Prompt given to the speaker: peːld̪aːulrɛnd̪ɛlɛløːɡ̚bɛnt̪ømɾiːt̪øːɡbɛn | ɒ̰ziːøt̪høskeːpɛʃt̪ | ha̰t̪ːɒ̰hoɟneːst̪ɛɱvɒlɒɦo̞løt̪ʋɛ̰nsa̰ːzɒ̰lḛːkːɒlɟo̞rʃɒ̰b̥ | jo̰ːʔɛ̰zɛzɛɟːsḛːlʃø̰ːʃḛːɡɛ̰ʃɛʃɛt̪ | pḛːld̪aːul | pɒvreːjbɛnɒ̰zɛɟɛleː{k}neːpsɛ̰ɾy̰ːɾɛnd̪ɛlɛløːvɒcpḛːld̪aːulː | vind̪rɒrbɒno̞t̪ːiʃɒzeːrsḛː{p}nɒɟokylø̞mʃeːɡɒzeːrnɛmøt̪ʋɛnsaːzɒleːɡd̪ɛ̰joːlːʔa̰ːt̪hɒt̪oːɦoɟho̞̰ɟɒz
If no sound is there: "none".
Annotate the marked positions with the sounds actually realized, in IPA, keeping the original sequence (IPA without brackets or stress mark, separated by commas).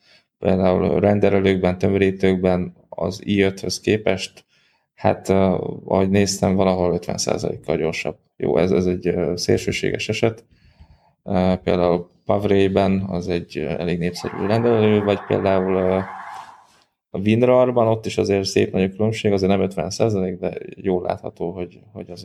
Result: ɡ, p